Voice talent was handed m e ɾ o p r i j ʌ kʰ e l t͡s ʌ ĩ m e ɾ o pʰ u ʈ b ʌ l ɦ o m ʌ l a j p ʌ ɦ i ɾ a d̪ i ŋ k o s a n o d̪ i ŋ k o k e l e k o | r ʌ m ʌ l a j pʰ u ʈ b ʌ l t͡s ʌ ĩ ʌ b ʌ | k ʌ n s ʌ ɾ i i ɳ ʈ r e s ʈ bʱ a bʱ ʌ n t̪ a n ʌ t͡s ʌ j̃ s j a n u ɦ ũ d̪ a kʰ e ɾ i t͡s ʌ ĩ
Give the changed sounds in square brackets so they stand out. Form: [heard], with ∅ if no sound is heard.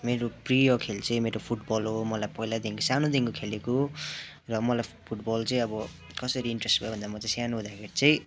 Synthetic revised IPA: m e ɾ o p r i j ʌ kʰ e l t͡s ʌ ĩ m e ɾ o pʰ u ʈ b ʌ l ɦ o m ʌ l a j p ʌ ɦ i [l] a d̪ i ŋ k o s a n o d̪ i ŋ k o [kʰ] e l e k o | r ʌ m ʌ l a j pʰ u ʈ b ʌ l t͡s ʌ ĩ ʌ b ʌ | k ʌ [∅] s ʌ ɾ i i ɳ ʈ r e s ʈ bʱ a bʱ ʌ n [d̪] a [m] ʌ t͡s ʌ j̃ s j a n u ɦ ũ d̪ a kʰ e ɾ i t͡s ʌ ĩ